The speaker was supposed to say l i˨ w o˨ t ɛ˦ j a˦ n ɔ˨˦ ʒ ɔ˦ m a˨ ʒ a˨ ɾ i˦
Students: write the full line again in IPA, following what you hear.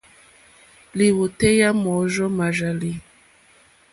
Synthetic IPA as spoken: l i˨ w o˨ t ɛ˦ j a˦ m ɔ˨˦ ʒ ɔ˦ m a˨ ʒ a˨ l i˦

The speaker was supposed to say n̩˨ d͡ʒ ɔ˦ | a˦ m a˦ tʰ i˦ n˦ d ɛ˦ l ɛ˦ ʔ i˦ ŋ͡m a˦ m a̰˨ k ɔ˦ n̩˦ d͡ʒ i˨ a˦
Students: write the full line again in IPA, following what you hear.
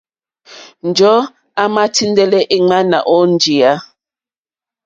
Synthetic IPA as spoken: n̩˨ d͡ʒ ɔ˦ | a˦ m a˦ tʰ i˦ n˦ d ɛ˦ l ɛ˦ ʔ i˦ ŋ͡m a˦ n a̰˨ ʔ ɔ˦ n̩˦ d͡ʒ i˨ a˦

